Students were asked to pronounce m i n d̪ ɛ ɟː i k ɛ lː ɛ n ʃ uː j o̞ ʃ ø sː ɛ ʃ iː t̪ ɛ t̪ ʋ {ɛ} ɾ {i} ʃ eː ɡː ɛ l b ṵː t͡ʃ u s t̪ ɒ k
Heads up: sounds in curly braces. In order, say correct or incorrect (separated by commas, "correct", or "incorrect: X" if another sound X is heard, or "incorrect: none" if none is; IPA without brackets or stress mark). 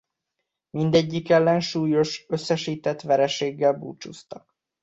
correct, incorrect: ɛ